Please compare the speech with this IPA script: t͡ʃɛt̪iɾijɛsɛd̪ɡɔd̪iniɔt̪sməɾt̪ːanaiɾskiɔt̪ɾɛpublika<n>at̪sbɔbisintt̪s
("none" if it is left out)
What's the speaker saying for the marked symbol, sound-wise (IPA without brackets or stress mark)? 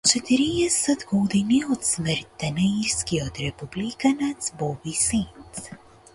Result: n